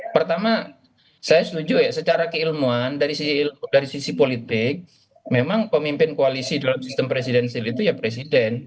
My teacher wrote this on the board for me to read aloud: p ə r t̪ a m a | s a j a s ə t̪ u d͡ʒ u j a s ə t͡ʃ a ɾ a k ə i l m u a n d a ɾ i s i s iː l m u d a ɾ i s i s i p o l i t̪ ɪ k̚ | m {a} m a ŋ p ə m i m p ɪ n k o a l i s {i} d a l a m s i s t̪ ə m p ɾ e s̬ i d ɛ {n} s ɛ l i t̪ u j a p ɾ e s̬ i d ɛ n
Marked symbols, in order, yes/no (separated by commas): no, yes, yes